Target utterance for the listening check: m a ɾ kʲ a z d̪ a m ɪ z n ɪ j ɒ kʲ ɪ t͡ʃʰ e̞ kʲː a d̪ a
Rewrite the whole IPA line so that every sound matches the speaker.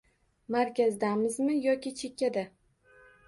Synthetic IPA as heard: m a ɾ kʲ a z d̪ a m ɪ z m ɪ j ɒ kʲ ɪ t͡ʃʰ e̞ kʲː a d̪ a